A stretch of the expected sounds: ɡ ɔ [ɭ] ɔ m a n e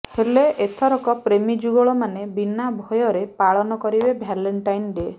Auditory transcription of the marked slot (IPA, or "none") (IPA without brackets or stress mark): ɭ